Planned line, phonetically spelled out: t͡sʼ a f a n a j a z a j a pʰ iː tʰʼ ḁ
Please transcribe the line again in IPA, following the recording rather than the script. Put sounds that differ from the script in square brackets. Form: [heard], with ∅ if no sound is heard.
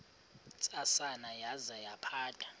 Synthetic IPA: t͡sʼ a [s] a n a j a z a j a pʰ [aː] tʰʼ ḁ